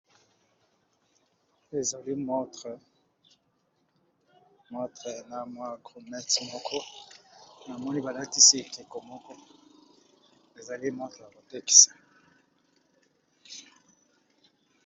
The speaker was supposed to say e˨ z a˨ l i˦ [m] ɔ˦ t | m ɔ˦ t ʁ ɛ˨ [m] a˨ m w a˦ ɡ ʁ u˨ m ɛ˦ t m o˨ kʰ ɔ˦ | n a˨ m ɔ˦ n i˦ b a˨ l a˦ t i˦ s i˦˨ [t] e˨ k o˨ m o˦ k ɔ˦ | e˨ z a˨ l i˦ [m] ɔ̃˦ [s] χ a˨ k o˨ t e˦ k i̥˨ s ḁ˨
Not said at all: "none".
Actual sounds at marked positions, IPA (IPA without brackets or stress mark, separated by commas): m, n, k, m, t